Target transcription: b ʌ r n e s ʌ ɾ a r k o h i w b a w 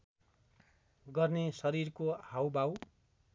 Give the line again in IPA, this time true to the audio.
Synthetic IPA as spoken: ɡ ʌ r n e s ʌ ɾ i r k o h a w b a w